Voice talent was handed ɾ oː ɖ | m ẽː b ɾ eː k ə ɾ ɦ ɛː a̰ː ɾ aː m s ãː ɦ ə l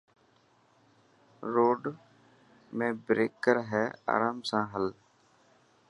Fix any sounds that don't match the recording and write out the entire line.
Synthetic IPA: ɾ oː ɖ | m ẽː b ɾ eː k ə ɾ ɦ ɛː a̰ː ɾ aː m s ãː ɦ ə l

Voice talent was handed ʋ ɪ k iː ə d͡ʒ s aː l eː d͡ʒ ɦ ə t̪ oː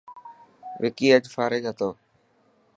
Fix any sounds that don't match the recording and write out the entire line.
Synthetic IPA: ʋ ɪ k iː ə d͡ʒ f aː ɾ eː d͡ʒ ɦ ə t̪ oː

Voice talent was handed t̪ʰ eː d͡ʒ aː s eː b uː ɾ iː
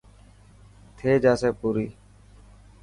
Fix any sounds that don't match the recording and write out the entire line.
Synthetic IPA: t̪ʰ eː d͡ʒ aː s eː p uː ɾ iː

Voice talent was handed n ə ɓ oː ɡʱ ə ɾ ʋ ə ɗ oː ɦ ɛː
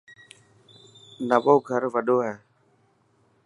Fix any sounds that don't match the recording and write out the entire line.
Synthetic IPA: n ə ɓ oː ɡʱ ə ɾ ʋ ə ɗ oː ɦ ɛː

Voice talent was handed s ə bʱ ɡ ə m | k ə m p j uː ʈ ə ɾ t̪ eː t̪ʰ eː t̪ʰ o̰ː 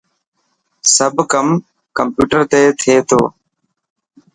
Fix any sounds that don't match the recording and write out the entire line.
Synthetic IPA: s ə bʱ k ə m | k ə m p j uː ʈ ə ɾ t̪ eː t̪ʰ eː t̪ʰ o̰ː

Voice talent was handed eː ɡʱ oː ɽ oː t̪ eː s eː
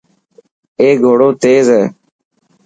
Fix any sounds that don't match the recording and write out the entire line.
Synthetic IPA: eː ɡʱ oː ɽ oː t̪ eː z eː

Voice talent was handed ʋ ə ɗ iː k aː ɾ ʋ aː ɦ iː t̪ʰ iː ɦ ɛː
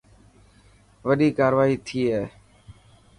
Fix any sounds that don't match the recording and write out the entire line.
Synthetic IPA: ʋ ə ɗ iː k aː ɾ ʋ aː ɦ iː t̪ʰ iː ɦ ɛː

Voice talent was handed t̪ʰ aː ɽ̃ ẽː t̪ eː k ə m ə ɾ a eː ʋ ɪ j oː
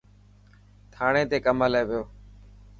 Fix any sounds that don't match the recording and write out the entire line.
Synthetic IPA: t̪ʰ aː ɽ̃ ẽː t̪ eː k ə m ə l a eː ʋ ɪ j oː

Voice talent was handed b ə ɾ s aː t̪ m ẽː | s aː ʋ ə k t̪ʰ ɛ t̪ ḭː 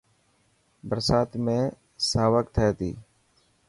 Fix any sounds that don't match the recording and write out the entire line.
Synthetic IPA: b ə ɾ s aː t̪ m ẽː | s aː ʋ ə k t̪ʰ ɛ t̪ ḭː

